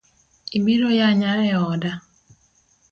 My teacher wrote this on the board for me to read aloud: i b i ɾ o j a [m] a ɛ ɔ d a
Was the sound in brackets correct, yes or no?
no